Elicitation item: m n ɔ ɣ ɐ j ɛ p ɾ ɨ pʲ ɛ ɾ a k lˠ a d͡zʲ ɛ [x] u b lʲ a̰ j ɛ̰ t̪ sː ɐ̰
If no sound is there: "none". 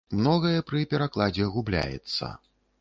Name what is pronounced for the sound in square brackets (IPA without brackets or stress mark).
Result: ɣ